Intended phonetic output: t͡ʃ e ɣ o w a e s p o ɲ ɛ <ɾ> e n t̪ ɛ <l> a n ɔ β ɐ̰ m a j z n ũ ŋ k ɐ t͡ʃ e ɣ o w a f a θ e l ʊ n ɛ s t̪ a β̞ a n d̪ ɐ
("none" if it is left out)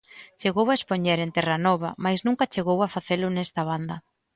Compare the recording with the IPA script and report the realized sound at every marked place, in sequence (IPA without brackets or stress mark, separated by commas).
ɾ, r